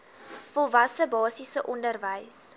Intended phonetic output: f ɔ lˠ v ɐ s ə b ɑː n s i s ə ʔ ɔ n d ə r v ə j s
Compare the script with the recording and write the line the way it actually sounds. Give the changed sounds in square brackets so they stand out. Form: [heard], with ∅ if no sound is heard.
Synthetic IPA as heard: f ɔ lˠ v ɐ s ə b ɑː [∅] s i s ə ʔ ɔ n d ə r v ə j s